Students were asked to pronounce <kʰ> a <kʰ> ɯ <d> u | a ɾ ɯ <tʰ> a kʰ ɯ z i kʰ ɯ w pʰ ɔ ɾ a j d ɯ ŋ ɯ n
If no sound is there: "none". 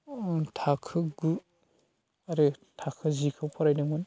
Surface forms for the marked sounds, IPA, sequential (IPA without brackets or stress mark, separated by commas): tʰ, kʰ, ɡ, tʰ